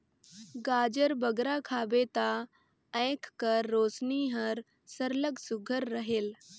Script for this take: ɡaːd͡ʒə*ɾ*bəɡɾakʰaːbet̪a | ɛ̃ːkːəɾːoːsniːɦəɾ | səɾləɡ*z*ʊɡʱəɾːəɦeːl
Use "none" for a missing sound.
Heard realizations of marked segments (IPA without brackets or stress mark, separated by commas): ɾ, s